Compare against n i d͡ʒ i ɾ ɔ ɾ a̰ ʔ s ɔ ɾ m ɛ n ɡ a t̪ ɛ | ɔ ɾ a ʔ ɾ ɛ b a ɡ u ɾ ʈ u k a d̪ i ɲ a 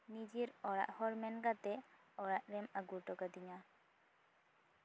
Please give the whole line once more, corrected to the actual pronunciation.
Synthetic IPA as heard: n i d͡ʒ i ɾ ɔ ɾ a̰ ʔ h ɔ ɾ m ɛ n ɡ a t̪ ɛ | ɔ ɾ a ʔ ɾ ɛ m a ɡ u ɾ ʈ ɔ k a d̪ i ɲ a